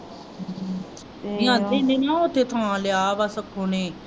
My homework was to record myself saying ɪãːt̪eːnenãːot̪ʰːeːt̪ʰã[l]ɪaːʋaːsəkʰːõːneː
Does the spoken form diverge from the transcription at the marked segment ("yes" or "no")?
no